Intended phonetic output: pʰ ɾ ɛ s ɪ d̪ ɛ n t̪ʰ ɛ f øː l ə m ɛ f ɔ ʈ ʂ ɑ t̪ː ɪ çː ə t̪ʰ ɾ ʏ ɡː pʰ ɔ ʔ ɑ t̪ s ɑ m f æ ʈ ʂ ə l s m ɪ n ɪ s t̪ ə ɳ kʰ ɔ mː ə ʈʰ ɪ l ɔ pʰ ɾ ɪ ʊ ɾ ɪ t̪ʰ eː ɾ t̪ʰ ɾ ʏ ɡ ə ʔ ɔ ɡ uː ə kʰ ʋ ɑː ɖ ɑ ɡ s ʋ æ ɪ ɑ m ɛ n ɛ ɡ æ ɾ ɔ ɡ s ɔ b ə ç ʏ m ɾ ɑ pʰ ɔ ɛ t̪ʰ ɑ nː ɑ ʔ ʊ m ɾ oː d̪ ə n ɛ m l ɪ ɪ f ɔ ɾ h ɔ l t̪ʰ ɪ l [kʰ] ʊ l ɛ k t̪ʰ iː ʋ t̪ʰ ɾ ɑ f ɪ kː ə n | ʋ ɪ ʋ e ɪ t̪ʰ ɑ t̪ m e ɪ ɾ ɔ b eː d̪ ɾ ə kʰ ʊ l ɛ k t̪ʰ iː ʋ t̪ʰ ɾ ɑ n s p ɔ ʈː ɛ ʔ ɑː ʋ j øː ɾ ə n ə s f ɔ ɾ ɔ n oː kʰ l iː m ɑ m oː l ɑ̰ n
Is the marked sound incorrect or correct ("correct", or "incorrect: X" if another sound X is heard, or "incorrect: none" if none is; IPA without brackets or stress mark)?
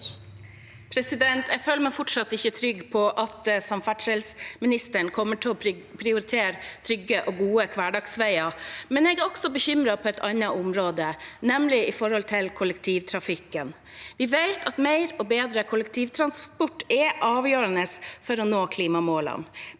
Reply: correct